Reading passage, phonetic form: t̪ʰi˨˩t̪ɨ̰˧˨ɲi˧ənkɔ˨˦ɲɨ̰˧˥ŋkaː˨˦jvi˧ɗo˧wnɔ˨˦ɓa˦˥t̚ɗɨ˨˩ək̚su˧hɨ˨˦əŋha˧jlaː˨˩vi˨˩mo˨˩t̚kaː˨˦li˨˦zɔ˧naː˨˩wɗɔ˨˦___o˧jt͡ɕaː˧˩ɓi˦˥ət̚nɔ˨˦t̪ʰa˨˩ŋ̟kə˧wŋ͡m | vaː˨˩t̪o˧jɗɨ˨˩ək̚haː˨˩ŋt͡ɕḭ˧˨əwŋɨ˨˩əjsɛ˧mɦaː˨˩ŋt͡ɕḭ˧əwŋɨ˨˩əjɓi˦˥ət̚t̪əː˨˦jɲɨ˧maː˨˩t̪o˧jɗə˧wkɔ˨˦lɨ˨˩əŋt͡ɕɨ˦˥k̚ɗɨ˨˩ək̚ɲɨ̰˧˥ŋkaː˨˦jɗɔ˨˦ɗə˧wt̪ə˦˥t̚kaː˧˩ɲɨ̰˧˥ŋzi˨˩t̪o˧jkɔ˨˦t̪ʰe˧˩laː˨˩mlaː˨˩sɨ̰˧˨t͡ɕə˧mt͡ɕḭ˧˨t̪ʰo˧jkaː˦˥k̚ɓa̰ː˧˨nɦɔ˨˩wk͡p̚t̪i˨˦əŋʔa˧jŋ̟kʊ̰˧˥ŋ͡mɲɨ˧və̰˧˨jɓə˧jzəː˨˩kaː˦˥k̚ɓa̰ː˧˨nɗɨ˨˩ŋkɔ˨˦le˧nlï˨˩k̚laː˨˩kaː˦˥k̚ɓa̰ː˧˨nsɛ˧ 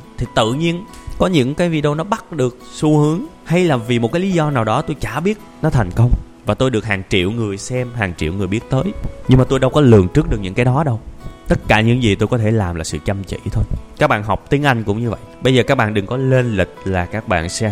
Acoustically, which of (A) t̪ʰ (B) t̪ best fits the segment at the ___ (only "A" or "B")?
B